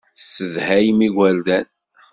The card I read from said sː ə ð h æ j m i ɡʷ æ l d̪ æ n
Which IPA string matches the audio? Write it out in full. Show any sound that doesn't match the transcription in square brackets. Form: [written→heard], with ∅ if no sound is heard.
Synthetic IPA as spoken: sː ə ð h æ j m i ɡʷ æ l d̪ æ n